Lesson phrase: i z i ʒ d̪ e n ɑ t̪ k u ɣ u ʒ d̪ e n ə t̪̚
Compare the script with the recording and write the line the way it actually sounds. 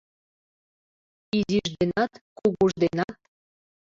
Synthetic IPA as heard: i z i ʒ d̪ e n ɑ t̪ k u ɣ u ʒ d̪ e n ɑ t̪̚